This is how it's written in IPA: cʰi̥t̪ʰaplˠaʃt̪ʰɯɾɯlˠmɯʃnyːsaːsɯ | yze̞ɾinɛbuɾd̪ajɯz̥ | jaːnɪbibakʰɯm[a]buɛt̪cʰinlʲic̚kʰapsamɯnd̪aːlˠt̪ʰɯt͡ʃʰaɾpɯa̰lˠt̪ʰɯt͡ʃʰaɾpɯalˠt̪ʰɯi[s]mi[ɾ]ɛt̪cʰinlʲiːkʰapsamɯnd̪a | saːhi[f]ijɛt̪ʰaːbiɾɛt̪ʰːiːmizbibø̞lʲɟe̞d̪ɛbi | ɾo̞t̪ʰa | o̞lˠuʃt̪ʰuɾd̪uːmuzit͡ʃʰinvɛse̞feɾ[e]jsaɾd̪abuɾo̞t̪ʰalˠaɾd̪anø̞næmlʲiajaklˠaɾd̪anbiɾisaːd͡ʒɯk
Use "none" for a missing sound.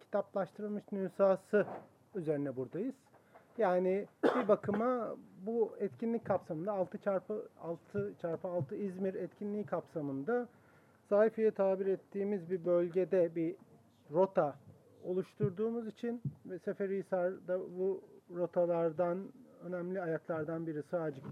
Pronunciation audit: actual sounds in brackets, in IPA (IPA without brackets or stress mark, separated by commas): a, z, ɾ, f, i